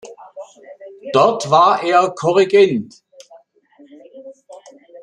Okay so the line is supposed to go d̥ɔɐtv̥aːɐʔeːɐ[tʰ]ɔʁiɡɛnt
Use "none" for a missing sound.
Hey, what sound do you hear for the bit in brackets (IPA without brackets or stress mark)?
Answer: kʰ